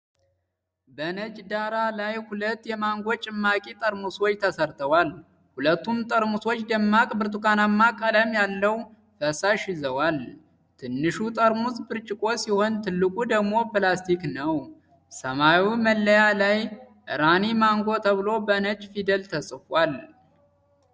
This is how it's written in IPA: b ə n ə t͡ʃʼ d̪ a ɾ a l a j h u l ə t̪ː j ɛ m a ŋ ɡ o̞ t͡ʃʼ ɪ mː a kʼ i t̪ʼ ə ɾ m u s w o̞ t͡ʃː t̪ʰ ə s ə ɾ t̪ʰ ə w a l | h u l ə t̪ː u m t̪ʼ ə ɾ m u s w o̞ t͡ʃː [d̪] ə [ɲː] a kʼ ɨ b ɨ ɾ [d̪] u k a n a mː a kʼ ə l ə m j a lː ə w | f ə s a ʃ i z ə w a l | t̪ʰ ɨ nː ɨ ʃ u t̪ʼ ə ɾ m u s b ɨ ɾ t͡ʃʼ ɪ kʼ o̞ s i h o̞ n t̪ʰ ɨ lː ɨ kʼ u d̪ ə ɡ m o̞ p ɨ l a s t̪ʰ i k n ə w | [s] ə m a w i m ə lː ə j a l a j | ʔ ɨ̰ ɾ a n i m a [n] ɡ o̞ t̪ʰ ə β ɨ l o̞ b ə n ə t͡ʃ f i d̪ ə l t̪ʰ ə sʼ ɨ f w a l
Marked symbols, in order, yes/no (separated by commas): yes, no, no, yes, no